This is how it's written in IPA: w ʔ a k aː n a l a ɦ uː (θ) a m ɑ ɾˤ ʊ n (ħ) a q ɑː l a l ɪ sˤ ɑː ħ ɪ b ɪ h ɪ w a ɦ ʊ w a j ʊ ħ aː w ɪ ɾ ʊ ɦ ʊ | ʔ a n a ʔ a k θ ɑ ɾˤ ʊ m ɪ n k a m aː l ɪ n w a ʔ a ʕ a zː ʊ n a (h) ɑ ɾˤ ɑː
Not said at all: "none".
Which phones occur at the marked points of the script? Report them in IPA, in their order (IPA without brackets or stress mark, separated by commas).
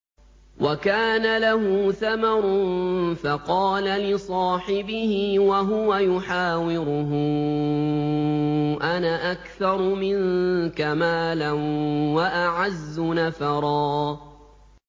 θ, f, f